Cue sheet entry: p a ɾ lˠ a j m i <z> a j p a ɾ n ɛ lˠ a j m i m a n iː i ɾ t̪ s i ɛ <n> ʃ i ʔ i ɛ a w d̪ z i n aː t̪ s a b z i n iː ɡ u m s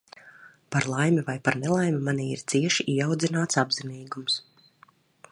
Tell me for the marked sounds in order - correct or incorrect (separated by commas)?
incorrect, incorrect